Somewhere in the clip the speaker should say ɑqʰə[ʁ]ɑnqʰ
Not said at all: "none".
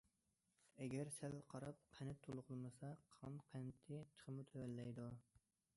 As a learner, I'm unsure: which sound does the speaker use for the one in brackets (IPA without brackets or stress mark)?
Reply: ʁ